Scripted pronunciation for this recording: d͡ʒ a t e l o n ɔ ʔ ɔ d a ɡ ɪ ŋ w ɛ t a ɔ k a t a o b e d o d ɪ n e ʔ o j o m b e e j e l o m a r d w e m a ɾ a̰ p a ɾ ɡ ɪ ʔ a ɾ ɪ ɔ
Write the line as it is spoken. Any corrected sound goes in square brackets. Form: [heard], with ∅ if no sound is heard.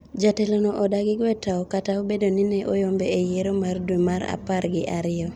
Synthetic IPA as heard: d͡ʒ a t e l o n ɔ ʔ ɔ d a ɡ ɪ [ɡ] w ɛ t a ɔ k a t a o b e d o [n] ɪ n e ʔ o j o m b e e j e [ɾ] o m a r d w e m a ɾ a̰ p a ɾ ɡ ɪ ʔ a ɾ ɪ ɔ